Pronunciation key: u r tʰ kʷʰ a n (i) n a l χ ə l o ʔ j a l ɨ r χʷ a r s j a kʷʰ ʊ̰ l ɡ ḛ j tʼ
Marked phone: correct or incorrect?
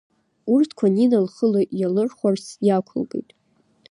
correct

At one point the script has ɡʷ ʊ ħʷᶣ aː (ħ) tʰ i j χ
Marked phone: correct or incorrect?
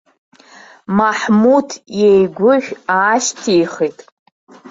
incorrect: ʃ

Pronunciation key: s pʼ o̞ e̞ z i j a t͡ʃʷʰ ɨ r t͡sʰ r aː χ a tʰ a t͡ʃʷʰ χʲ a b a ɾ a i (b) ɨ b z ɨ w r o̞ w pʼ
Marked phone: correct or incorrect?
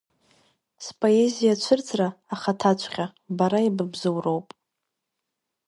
correct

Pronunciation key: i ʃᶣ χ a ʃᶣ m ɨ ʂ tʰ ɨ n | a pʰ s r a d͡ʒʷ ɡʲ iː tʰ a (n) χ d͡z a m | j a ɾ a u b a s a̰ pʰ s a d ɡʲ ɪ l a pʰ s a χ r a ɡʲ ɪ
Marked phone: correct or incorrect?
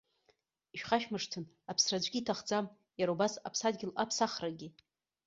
incorrect: none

